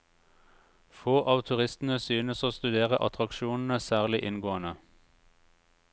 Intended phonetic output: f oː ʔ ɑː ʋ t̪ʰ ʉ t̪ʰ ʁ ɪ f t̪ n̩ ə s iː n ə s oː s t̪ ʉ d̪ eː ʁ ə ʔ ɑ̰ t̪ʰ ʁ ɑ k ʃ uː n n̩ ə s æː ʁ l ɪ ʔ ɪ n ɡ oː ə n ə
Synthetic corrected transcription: f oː ʔ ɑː ʋ t̪ʰ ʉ ʁ ɪ s t̪ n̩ ə s yː n ə s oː s t̪ ʉ d̪ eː ʁ ə ʔ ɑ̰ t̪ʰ ʁ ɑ k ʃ uː n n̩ ə s æː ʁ l ɪ ʔ ɪ n ɡ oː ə n ə